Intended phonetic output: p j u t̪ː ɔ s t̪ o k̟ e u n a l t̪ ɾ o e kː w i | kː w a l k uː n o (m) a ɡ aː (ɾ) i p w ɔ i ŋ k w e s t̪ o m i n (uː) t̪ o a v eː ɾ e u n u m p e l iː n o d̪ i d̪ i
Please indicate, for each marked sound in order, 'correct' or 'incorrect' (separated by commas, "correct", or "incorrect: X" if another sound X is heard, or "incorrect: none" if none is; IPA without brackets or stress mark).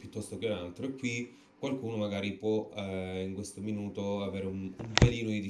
correct, correct, correct